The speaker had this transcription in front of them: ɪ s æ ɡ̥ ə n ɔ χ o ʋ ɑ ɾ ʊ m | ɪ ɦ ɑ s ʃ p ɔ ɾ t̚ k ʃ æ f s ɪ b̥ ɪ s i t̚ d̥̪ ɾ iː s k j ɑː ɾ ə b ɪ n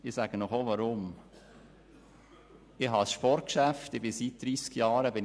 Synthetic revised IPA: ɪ s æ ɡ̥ ə n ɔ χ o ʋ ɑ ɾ ʊ m | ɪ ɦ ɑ s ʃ p ɔ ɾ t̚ k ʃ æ f t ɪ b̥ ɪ s i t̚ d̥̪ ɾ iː s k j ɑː ɾ ə b ɪ n